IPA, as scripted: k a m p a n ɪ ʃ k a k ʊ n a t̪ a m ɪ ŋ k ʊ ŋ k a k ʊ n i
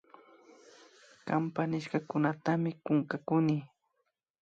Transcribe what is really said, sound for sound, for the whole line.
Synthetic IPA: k a m p a n ɪ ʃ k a k ʊ n a t̪ a m ɪ k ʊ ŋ k a k ʊ n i